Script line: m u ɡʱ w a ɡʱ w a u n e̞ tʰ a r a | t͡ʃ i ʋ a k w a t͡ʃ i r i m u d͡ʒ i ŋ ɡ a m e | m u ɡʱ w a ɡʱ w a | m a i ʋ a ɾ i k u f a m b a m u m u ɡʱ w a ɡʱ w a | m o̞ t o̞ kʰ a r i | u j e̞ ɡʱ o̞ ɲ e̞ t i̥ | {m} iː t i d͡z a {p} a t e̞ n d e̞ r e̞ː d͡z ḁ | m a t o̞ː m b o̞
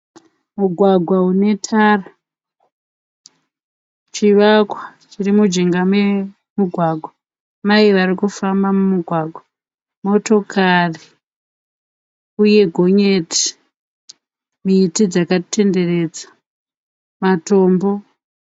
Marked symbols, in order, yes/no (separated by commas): yes, no